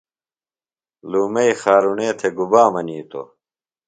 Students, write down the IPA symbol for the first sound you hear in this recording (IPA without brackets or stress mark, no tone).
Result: l